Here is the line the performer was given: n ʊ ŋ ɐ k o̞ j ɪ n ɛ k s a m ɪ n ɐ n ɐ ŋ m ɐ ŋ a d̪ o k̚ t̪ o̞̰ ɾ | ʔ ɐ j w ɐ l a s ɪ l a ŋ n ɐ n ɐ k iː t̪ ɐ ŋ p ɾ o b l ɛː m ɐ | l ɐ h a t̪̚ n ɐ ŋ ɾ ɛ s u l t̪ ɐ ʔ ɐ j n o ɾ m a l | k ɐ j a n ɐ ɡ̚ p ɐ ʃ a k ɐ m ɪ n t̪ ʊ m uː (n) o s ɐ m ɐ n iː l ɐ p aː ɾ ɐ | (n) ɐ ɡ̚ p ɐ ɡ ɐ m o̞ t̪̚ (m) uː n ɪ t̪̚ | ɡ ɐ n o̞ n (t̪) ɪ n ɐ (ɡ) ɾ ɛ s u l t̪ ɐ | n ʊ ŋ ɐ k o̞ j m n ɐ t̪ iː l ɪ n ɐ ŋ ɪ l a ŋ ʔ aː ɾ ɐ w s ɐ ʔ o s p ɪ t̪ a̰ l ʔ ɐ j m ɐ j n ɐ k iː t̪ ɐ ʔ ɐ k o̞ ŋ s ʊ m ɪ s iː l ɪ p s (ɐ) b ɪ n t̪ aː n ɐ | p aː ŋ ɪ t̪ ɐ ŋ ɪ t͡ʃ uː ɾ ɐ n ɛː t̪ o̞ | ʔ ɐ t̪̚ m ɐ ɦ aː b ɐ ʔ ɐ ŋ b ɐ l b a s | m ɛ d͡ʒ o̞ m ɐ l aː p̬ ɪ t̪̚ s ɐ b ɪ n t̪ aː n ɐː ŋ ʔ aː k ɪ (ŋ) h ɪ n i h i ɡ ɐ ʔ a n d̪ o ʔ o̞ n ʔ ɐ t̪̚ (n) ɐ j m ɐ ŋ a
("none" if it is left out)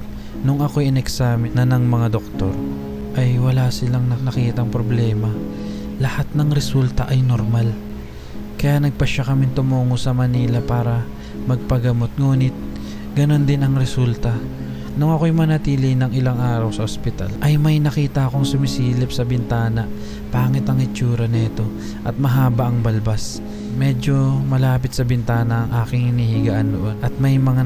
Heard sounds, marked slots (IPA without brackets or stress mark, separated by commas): ŋ, m, ŋ, d̪, ŋ, ɐ, ŋ, m